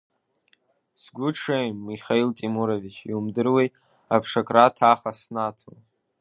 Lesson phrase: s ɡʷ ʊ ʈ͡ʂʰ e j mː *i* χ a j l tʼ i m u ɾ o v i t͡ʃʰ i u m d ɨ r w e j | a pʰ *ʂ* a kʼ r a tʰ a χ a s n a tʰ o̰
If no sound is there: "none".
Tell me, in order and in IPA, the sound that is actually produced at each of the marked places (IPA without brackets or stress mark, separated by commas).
i, ʂ